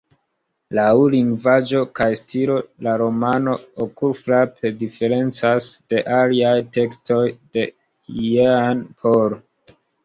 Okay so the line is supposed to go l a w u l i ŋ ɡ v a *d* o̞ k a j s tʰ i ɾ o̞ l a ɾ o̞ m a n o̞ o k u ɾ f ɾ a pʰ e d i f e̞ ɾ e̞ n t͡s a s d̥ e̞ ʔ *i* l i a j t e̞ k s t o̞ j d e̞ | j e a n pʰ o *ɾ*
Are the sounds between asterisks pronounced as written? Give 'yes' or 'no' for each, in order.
no, no, yes

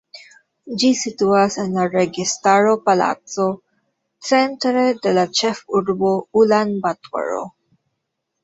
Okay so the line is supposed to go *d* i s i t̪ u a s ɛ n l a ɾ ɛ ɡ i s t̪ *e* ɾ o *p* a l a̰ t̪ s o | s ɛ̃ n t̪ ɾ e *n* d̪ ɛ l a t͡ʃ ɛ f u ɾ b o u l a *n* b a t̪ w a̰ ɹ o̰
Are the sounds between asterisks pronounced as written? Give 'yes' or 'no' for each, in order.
no, no, yes, no, yes

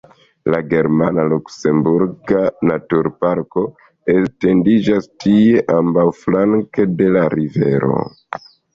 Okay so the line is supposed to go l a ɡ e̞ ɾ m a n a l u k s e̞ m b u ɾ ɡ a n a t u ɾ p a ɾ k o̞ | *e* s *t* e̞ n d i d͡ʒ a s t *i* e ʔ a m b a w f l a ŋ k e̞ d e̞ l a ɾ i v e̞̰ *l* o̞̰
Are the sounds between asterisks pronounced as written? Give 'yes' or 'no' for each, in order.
yes, yes, yes, no

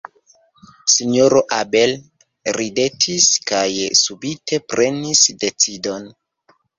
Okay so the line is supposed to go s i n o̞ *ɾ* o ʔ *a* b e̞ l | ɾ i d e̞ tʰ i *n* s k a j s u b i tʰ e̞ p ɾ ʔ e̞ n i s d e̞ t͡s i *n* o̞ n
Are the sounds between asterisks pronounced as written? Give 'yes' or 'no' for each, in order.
yes, yes, no, no

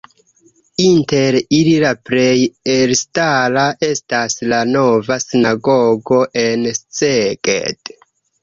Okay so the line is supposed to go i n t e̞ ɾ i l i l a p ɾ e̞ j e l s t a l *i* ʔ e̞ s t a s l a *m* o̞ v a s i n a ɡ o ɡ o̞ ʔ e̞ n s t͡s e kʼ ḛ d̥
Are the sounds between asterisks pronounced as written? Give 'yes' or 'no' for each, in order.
no, no

